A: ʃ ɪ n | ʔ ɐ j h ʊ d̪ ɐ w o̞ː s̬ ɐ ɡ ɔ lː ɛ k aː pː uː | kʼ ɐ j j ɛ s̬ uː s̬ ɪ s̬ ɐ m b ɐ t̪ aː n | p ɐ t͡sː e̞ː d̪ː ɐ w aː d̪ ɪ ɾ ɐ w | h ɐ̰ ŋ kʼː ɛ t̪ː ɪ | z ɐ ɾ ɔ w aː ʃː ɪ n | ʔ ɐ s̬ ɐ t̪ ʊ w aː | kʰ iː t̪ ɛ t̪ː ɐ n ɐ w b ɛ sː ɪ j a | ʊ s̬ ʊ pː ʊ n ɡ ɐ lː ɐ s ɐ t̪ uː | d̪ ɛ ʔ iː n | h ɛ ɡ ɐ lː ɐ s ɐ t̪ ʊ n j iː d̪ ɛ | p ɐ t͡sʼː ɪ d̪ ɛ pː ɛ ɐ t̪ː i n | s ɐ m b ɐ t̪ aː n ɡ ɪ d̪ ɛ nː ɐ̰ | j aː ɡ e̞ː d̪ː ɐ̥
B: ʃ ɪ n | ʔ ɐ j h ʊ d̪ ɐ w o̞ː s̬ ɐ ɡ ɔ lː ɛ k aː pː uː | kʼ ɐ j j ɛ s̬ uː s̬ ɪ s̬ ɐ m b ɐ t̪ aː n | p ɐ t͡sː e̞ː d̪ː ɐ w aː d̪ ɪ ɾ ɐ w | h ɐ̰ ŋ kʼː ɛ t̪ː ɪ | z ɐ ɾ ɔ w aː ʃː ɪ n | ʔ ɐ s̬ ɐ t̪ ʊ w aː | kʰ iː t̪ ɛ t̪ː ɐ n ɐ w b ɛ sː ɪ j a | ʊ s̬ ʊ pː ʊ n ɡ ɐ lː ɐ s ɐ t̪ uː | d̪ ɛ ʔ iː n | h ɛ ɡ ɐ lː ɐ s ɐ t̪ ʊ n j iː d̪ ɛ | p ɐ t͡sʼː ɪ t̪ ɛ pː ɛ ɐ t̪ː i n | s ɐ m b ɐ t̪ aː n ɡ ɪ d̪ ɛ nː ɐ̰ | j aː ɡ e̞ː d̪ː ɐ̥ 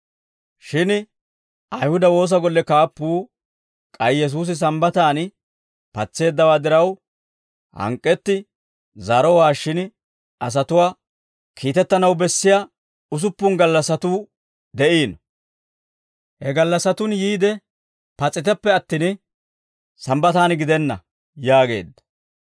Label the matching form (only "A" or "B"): B